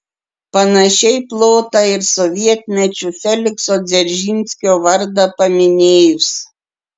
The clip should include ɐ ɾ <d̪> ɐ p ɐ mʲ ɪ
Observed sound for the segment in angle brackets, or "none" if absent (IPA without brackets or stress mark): d̪